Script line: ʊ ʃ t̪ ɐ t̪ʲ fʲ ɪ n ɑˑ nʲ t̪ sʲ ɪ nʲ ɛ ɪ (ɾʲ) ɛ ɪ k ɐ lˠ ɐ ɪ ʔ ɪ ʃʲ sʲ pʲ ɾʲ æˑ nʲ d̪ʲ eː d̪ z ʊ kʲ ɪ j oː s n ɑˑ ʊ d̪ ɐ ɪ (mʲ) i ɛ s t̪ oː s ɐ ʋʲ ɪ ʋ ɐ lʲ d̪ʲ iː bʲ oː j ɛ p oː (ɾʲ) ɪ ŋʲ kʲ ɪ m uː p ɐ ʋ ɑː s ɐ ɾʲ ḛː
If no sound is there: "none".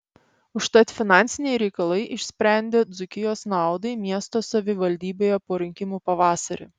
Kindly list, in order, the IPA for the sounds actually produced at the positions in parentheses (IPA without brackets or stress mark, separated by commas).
ɾʲ, mʲ, ɾʲ